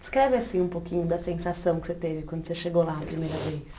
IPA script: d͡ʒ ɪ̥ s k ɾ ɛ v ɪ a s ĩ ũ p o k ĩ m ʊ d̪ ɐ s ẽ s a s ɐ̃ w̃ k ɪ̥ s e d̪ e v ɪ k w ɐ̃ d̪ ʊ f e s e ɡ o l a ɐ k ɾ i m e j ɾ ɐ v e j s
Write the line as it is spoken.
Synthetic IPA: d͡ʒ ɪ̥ s k ɾ ɛ v ɪ a s ĩ ũ p o k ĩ ɲ ʊ d̪ ɐ s ẽ s a s ɐ̃ w̃ k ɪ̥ s e t̪ e v ɪ k w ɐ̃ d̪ ʊ s e ʃ e ɡ o l a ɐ p ɾ i m e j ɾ ɐ v e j s